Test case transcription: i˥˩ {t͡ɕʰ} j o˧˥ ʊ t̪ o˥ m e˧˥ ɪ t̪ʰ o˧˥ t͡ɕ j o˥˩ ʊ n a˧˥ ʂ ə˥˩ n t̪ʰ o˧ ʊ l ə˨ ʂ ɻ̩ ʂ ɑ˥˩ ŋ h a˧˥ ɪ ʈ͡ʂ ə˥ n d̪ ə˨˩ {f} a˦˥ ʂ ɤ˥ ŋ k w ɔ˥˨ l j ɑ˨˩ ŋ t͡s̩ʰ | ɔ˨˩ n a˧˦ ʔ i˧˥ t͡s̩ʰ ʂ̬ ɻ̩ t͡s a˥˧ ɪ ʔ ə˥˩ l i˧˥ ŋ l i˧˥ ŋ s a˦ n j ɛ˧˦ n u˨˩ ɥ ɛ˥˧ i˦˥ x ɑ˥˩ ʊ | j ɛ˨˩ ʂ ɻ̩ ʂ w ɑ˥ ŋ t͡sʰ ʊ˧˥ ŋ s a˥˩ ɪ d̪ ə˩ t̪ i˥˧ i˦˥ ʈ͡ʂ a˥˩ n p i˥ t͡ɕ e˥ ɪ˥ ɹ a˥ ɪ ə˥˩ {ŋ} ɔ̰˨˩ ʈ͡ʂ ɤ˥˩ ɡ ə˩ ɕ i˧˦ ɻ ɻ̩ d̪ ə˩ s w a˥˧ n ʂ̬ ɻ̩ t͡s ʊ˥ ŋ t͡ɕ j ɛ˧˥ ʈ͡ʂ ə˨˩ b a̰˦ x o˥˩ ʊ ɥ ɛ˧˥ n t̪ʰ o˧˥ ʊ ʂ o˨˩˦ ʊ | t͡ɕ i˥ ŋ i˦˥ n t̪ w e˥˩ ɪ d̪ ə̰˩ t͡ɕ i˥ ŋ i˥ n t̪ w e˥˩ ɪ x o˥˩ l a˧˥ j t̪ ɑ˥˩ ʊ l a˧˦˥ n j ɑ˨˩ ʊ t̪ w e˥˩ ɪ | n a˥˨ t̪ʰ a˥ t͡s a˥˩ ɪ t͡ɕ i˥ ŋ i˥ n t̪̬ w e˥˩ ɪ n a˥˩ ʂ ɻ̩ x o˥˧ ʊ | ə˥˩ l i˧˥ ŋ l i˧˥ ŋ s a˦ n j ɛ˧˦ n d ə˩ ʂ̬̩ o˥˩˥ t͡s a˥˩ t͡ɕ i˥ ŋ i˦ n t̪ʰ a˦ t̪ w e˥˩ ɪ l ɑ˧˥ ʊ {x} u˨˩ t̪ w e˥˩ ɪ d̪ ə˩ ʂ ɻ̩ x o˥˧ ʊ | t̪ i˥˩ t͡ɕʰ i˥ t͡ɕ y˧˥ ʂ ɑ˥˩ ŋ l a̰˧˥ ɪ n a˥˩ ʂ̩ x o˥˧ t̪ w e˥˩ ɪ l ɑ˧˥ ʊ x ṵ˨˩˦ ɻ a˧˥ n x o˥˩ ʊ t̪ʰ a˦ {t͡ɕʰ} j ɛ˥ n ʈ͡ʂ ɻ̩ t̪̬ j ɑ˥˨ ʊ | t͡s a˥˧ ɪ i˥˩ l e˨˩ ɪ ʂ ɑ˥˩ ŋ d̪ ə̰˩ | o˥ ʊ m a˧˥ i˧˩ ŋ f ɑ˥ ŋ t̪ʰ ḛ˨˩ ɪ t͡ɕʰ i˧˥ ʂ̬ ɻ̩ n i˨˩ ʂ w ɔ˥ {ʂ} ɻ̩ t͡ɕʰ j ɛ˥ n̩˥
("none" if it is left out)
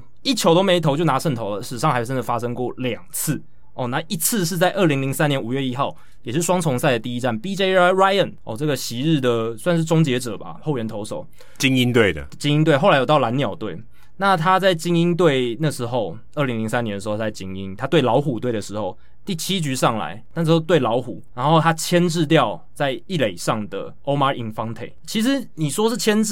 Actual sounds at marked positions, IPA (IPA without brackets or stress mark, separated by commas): t͡ɕʰ, f, n, x, t͡ɕʰ, ʂ